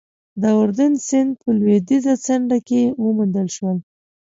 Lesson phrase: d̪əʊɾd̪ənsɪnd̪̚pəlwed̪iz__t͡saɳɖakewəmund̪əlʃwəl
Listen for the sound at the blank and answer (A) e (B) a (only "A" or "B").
B